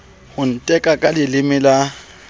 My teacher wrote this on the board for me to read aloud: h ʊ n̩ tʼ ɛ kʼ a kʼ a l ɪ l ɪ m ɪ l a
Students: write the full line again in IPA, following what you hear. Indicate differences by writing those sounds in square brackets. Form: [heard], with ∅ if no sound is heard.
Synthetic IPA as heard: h ʊ n̩ tʼ ɛ kʼ a kʼ a l ɪ l ɪ m ɪ l a